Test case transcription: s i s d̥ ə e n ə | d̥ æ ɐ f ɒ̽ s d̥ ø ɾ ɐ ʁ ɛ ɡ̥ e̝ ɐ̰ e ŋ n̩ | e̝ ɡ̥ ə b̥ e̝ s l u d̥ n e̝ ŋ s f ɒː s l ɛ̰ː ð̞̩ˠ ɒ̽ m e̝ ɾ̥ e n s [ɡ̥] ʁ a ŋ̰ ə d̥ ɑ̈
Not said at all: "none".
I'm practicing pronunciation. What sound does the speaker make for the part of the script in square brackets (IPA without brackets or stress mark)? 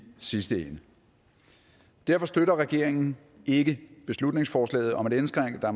ɡ̥